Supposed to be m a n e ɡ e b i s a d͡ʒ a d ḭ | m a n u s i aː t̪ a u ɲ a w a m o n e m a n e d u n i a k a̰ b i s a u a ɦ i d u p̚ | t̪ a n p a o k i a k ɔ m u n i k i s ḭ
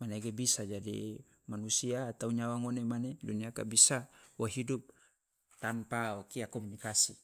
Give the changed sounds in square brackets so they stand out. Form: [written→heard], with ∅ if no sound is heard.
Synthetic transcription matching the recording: m a n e ɡ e b i s a d͡ʒ a d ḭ | m a n u s i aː t̪ a u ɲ a w a [m→ŋ] o n e m a n e d u n i a k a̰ b i s a [u→w] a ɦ i d u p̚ | t̪ a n p a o k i a k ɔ m u n i k [i→a] s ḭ